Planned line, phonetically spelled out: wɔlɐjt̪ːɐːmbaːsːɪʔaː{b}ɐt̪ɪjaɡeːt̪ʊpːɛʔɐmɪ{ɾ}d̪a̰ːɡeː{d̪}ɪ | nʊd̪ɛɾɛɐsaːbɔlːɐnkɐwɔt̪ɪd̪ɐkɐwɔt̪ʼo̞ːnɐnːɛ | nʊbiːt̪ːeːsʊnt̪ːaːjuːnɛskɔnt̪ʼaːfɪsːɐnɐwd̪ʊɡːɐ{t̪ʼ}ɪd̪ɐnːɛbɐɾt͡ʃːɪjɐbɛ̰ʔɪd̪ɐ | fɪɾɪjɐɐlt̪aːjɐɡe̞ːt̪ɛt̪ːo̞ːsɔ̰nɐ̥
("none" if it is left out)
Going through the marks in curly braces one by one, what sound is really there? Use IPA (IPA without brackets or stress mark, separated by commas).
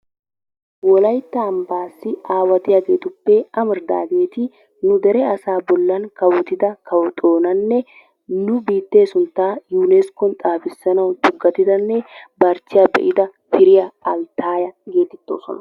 w, ɾ, t̪, t̪